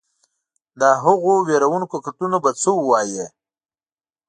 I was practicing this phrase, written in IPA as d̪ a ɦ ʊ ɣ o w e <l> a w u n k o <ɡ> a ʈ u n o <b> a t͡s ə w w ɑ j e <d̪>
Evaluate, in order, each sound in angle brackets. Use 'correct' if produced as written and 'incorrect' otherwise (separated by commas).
incorrect, incorrect, correct, incorrect